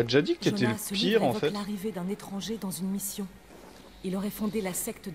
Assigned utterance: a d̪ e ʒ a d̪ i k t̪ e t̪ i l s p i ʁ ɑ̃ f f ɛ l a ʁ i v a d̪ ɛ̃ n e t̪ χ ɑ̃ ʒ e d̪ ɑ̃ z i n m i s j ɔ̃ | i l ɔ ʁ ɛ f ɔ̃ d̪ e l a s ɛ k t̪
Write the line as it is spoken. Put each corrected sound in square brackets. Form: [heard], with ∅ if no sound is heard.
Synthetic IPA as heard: a d̪ e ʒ a d̪ i k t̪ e t̪ [ɛ] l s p i ʁ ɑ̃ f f ɛ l a ʁ i v [e] d̪ ɛ̃ n e t̪ χ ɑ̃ ʒ e d̪ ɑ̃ z [y] n m i s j ɔ̃ | i l ɔ ʁ ɛ f ɔ̃ d̪ e l a s ɛ k t̪